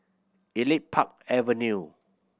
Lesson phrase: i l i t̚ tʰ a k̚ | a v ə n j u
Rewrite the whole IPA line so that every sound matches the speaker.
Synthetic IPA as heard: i l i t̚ pʰ a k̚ | ɛ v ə n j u